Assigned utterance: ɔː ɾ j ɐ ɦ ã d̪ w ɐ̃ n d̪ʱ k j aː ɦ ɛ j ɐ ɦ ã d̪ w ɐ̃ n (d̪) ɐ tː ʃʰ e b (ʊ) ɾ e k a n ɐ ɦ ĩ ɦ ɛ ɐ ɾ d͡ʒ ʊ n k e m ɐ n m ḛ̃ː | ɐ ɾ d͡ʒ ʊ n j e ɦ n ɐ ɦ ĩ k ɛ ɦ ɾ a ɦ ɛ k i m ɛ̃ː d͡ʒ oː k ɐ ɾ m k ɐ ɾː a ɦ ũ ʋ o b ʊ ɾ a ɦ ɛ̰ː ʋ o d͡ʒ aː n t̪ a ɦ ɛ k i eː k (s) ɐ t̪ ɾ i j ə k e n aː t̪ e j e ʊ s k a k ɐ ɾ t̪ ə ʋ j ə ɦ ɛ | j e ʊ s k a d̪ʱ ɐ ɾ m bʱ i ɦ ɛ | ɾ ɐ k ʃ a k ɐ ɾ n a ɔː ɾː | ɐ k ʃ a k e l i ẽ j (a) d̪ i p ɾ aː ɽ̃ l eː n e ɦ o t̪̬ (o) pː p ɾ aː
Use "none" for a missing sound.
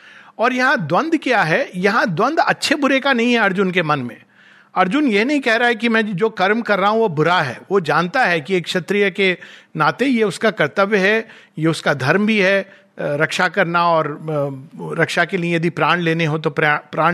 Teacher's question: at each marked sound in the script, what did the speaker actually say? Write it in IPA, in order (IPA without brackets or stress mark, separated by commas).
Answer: d̪, ʊ, ʃ, ɐ, o